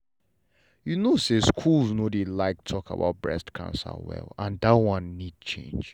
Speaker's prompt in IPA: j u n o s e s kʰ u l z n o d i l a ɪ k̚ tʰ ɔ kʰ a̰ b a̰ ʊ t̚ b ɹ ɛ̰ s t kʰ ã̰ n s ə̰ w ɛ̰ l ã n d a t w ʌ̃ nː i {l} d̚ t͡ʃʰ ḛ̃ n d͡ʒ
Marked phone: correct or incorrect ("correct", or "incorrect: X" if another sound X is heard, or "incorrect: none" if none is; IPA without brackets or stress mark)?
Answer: incorrect: none